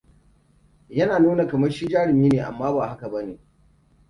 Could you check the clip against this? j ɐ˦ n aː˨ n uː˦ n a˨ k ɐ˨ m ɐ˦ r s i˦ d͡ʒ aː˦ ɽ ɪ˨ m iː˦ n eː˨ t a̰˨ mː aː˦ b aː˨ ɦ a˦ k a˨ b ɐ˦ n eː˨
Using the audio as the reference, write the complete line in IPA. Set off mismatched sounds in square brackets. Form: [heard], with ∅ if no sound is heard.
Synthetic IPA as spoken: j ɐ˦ n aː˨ n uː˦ n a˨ k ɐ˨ m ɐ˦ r [ʃ] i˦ d͡ʒ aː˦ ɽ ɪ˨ m iː˦ n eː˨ [ʔ] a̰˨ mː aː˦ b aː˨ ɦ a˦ k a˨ b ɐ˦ n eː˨